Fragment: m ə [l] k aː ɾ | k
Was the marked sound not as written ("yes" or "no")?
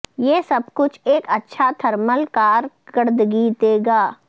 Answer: no